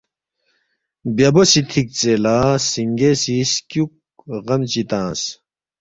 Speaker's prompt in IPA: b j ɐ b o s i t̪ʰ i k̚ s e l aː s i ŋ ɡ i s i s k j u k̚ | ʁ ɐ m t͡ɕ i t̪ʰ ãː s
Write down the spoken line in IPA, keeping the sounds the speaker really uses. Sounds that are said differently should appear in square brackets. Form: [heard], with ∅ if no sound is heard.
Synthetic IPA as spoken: b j ɐ b o s i t̪ʰ i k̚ [t͡s] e l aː s i ŋ ɡ [e] s i s k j u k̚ | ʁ ɐ m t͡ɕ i [t̪] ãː s